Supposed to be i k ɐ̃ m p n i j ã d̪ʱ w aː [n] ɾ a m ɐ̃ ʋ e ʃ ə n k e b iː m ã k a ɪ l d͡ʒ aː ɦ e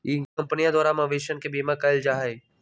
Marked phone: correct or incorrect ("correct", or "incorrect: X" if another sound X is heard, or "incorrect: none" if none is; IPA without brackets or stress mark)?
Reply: incorrect: none